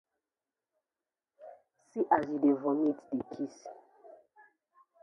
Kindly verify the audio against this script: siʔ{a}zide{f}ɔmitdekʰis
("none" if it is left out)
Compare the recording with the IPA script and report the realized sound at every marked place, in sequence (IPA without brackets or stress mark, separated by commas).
a, v